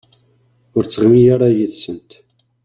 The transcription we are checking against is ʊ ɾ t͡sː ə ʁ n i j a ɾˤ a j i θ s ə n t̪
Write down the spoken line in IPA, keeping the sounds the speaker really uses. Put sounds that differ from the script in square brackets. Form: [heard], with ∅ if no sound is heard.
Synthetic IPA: ʊ ɾ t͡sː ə ʁ [m] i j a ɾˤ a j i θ s ə n t̪